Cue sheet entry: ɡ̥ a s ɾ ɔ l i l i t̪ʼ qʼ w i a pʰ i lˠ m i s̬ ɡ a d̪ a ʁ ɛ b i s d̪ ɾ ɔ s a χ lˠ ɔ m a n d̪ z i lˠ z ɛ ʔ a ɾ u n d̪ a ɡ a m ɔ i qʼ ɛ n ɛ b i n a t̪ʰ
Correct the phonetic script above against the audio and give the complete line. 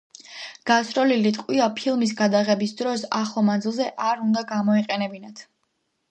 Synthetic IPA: ɡ̥ a s ɾ ɔ l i l i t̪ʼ qʼ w i a pʰ i lˠ m i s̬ ɡ a d̪ a ʁ ɛ b i s d̪ ɾ ɔ s a χ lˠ ɔ m a n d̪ z i lˠ z ɛ ʔ a ɾ u n d̪ a ɡ a m ɔ i qʼ ɛ n ɛ b i n a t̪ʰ